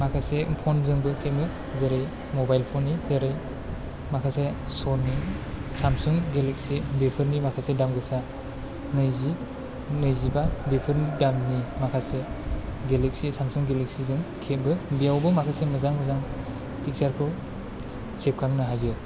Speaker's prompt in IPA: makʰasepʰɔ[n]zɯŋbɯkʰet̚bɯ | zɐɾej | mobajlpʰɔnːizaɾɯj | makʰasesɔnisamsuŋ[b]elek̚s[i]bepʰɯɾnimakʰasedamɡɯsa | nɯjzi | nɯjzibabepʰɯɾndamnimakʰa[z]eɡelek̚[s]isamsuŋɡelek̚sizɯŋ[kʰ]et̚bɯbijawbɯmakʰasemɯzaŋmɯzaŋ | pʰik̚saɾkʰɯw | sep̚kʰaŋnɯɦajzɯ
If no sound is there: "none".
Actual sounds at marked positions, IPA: n, ɡ, i, s, s, kʰ

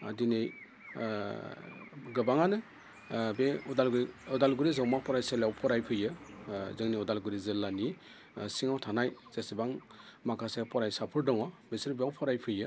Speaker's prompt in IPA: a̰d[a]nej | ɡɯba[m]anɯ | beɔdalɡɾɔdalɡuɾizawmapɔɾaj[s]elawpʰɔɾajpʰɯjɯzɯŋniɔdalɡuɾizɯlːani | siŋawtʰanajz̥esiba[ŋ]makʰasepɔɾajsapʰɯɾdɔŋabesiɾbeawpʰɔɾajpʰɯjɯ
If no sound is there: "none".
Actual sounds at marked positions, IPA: i, ŋ, s, ŋ

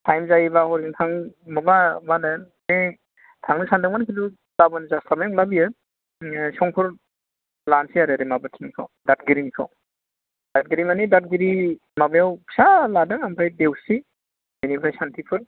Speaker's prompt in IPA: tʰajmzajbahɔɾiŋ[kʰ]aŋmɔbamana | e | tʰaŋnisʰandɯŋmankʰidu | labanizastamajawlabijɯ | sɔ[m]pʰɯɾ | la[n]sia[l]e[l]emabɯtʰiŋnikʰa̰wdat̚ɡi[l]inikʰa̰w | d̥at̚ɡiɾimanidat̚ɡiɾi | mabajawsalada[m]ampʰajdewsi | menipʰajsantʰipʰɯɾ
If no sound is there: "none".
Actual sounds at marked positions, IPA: tʰ, ŋ, n, ɾ, ɾ, ɾ, ŋ

